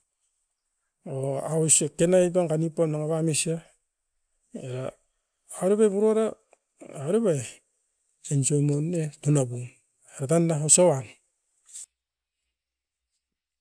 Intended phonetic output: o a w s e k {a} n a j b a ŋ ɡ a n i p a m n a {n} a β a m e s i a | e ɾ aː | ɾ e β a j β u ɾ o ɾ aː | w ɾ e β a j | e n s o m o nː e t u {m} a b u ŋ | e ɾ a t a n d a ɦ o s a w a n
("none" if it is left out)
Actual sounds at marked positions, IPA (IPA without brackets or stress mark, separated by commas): e, ŋ, n